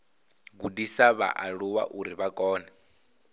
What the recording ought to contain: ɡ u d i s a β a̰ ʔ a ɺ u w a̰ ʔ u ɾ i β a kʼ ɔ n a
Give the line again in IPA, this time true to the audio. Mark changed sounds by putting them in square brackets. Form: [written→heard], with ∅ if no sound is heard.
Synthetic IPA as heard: ɡ u d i s a β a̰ ʔ a ɺ u w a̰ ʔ u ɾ i β a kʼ [ɔ→ɔː] n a